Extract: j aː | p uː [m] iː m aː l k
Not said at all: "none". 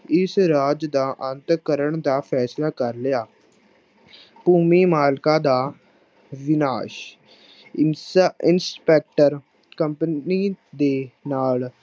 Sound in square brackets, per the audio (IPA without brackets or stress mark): m